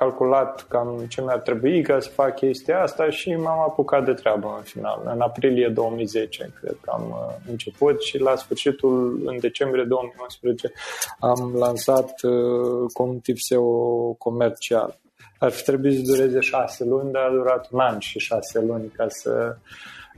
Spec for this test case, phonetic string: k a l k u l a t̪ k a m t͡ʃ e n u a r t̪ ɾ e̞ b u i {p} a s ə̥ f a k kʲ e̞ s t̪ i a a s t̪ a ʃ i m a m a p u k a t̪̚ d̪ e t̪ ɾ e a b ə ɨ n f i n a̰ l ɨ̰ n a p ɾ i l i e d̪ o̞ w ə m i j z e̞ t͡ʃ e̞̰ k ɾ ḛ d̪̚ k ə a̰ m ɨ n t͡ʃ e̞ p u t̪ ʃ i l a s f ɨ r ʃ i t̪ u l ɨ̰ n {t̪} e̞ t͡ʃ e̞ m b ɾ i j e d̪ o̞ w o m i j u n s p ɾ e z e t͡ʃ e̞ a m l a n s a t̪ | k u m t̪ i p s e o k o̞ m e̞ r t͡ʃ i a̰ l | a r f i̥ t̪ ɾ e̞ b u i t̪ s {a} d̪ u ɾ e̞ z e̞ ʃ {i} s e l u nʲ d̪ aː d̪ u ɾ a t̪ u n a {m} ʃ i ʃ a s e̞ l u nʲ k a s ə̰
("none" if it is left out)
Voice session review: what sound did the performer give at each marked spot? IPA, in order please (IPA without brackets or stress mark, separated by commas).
k, d̪, ə, a, n